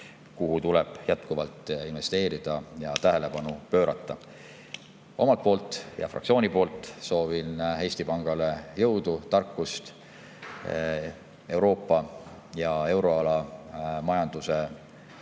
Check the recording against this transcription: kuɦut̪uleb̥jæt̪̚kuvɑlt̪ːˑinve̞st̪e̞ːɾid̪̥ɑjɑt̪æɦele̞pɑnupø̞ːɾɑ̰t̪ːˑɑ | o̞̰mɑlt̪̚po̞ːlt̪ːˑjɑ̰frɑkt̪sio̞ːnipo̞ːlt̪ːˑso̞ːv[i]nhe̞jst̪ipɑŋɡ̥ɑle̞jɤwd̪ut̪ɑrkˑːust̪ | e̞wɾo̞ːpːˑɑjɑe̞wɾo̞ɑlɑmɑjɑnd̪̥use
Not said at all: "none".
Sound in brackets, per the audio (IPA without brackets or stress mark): i